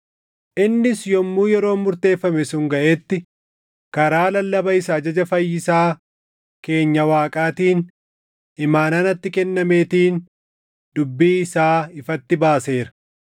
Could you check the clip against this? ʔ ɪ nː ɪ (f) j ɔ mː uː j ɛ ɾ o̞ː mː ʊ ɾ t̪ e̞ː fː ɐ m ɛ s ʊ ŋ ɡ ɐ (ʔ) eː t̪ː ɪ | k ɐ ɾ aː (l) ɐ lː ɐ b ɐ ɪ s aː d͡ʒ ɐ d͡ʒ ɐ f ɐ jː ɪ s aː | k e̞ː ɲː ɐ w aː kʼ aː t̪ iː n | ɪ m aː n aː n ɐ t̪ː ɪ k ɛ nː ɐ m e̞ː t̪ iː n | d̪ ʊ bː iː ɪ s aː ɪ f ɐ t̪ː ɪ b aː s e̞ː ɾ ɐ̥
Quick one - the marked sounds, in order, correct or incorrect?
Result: incorrect, correct, correct

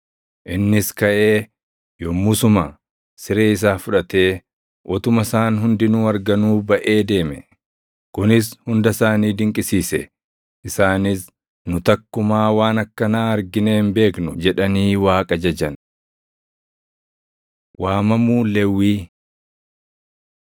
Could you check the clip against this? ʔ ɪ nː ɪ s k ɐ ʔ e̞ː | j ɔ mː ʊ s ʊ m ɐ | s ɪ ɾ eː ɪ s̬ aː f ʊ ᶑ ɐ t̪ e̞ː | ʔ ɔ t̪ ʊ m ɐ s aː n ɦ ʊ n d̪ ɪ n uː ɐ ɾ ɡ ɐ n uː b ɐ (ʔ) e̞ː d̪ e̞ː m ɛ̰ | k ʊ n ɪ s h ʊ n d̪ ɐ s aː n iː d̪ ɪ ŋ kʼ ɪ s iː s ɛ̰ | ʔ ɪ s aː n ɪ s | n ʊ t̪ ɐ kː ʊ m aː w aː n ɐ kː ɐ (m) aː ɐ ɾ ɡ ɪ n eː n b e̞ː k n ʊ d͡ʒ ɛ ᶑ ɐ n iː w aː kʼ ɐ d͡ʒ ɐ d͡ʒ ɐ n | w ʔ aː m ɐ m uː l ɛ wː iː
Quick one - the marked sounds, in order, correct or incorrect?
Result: correct, incorrect

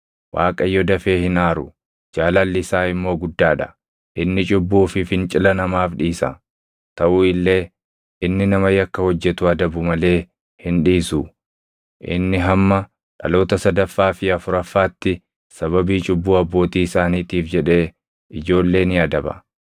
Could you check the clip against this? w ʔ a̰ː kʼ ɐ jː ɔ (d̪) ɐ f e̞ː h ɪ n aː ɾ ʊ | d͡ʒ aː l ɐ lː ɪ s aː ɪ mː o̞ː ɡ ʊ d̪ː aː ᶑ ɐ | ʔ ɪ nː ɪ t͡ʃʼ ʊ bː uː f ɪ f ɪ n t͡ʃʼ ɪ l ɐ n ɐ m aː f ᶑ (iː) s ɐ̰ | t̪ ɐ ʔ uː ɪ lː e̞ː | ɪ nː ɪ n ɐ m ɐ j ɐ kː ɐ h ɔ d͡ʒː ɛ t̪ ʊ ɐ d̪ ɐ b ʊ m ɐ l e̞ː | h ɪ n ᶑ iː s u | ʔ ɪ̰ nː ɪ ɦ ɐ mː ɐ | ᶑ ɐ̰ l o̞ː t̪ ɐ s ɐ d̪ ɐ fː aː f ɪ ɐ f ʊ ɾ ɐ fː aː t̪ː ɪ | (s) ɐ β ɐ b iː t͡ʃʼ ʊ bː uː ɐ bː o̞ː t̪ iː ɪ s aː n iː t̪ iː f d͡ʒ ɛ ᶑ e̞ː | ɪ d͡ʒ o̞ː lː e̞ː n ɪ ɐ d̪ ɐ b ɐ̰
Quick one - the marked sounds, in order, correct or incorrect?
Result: correct, correct, correct

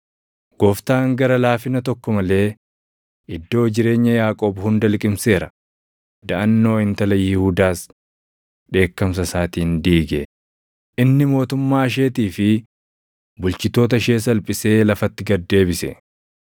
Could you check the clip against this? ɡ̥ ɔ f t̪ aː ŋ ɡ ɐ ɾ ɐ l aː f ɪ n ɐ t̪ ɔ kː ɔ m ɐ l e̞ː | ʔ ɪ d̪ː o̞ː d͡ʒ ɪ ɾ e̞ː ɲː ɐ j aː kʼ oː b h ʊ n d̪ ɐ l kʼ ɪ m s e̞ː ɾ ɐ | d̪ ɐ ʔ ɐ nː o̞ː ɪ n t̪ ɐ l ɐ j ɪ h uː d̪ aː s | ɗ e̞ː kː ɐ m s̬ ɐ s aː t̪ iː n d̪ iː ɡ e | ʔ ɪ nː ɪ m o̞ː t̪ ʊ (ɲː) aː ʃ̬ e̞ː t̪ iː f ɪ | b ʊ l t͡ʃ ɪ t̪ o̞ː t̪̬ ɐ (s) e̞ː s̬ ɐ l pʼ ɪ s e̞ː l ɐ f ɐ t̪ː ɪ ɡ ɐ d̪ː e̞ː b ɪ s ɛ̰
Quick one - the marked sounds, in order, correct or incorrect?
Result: incorrect, incorrect

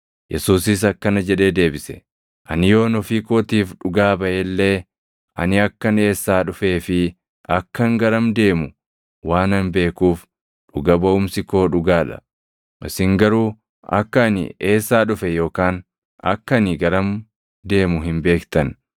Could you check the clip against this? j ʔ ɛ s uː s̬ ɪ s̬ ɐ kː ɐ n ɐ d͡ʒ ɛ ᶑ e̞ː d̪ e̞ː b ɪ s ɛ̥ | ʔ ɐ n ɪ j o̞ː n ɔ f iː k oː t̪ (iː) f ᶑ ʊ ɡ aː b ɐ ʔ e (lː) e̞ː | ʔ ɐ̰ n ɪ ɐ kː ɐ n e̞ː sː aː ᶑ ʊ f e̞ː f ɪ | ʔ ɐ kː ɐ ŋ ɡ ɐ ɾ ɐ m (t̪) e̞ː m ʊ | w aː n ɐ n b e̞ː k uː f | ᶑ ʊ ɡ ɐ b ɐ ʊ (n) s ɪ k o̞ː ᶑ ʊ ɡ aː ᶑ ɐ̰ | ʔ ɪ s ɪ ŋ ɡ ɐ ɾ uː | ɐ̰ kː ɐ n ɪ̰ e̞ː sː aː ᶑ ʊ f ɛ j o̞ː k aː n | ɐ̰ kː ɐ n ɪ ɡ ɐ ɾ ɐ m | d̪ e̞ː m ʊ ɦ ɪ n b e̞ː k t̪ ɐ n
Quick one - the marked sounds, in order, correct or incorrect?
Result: correct, correct, incorrect, incorrect

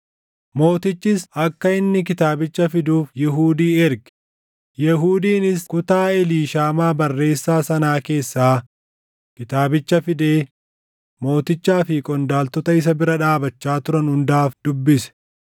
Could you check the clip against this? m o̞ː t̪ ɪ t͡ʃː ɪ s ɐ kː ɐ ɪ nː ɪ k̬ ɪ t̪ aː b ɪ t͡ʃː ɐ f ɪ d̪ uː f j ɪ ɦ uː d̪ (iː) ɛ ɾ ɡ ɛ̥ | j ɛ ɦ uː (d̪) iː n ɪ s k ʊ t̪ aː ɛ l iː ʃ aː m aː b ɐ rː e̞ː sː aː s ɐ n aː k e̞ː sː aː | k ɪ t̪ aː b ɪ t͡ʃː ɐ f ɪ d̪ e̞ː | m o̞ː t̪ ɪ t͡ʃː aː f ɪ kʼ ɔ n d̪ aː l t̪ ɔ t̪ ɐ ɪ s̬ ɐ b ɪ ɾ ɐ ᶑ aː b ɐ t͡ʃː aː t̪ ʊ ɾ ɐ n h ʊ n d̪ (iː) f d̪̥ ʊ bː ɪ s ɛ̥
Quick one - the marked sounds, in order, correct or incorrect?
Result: correct, correct, incorrect

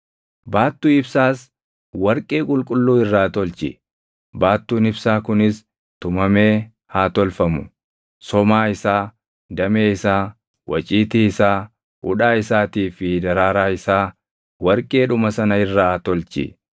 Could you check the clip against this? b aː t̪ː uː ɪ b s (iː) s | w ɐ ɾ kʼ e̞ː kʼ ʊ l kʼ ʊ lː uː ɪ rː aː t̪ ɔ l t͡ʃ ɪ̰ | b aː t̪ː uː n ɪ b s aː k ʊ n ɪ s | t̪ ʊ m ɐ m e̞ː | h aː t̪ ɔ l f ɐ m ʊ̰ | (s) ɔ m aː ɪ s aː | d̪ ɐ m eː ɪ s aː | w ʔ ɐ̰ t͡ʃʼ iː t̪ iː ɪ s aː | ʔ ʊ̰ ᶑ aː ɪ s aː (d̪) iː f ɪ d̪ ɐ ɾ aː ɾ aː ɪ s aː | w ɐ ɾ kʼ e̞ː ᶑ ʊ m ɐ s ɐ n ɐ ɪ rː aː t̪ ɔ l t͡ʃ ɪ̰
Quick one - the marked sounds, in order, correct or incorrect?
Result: incorrect, correct, incorrect

